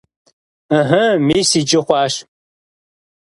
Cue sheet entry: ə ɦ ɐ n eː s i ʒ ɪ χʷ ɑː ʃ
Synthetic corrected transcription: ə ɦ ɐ m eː s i d͡ʒ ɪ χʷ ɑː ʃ